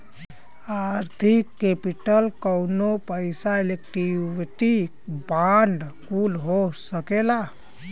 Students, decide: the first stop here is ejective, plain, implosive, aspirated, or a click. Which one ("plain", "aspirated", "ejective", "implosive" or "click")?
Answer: aspirated